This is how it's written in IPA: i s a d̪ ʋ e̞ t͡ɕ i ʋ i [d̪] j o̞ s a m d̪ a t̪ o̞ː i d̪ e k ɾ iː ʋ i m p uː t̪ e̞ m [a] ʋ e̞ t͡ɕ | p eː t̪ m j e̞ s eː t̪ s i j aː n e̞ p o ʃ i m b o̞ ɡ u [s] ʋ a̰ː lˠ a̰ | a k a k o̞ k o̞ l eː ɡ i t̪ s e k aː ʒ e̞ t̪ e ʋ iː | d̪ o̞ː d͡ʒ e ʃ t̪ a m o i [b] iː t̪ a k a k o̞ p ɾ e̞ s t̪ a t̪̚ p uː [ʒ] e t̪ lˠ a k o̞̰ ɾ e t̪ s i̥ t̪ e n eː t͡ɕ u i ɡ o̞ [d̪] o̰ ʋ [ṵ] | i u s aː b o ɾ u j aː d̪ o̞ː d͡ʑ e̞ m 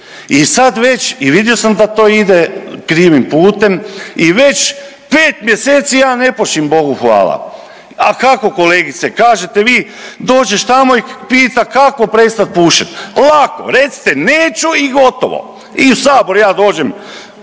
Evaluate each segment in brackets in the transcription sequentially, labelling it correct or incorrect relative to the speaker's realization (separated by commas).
correct, incorrect, incorrect, incorrect, incorrect, incorrect, incorrect